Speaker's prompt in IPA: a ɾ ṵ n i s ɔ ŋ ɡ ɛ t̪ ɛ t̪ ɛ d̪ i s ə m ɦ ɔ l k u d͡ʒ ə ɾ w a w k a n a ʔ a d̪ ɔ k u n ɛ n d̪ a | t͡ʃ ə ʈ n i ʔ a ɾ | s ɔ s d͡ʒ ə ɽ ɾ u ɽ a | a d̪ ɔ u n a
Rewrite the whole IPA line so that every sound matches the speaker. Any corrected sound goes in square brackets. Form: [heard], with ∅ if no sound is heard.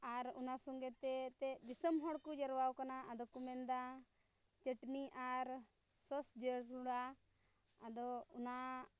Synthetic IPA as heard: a ɾ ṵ n [a] s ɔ ŋ ɡ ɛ t̪ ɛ t̪ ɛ d̪ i s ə m ɦ ɔ [ɽ] k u d͡ʒ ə ɾ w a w k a n a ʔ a d̪ ɔ k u [m] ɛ n d̪ a | t͡ʃ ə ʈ n i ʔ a ɾ | s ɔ s d͡ʒ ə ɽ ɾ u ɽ a | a d̪ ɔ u n a